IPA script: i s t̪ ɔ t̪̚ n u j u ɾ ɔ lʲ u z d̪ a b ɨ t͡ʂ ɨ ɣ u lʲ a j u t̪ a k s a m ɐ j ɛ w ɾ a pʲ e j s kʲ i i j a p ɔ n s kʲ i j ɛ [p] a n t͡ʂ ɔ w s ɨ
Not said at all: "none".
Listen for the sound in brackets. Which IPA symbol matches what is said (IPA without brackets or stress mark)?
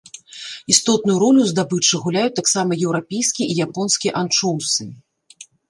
ʔ